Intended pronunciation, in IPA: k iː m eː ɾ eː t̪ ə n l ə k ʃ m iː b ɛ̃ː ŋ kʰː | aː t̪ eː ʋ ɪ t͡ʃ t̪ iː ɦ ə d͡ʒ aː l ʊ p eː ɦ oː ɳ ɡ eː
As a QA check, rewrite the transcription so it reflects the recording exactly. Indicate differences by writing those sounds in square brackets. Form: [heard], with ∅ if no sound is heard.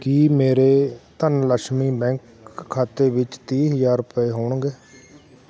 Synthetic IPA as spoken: k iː m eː ɾ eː t̪ ə n l ə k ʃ m iː b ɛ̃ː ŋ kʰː | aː t̪ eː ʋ ɪ t͡ʃ t̪ iː ɦ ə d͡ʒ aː [ɾ] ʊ p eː ɦ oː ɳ ɡ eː